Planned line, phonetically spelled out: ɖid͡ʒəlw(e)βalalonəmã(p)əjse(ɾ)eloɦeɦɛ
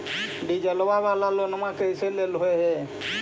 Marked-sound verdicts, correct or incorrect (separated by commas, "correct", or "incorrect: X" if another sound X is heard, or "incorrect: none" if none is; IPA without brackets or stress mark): incorrect: a, incorrect: k, incorrect: l